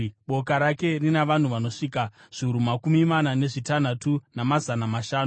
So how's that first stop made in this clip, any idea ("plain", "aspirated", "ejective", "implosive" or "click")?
implosive